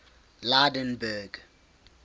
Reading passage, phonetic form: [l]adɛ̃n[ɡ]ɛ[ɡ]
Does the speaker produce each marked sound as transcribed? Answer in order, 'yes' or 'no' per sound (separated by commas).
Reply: yes, no, yes